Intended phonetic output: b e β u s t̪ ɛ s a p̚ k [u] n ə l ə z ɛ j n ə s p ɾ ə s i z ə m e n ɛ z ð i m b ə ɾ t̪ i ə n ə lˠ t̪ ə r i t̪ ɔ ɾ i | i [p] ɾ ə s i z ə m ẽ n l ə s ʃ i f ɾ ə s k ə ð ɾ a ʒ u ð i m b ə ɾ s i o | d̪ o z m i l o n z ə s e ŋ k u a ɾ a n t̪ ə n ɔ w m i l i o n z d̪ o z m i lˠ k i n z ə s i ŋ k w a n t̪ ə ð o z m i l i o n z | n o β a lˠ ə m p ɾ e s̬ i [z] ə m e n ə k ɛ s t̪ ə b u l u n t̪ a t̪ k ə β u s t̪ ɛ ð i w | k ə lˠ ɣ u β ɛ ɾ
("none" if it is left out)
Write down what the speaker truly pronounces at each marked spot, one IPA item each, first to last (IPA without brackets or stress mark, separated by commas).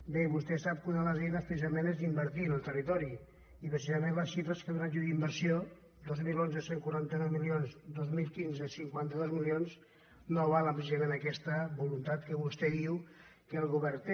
u, p, z